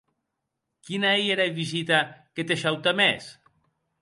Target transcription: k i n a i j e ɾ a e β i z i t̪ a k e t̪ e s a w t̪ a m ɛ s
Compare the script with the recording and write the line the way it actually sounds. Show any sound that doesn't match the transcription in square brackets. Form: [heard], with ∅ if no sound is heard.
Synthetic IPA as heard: k i n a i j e ɾ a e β i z i t̪ a k e t̪ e [ʃ] a w t̪ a m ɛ s